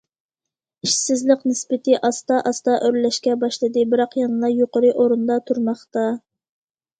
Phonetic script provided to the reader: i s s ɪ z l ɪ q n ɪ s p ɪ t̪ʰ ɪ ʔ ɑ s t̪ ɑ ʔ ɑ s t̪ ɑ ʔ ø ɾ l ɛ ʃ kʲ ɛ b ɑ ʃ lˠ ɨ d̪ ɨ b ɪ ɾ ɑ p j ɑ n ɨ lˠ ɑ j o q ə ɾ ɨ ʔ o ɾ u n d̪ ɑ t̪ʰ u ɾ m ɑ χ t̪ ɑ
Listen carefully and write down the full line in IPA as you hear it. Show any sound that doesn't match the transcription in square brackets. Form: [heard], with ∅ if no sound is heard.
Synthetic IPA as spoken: i [ʃ] s ɪ z l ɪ q n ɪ s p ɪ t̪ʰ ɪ ʔ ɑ s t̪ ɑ ʔ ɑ s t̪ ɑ ʔ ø ɾ l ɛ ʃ kʲ ɛ b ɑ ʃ lˠ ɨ d̪ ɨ b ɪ ɾ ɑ [q] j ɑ n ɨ lˠ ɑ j o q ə ɾ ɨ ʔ o ɾ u n d̪ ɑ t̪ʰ u ɾ m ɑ χ t̪ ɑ